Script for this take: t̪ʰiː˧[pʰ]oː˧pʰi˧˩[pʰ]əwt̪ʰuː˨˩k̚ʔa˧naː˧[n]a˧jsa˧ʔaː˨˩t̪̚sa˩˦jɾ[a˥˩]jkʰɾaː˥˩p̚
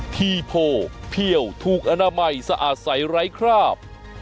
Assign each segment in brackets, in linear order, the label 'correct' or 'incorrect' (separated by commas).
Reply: correct, incorrect, incorrect, incorrect